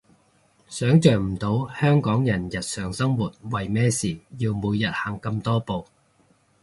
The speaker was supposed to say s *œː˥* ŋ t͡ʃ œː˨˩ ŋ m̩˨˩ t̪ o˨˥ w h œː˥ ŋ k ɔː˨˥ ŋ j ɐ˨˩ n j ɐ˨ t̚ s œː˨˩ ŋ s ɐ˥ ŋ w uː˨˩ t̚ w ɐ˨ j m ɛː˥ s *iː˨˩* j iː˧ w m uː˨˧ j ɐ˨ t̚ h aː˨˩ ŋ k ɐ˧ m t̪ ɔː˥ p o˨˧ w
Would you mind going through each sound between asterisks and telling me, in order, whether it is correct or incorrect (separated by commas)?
incorrect, correct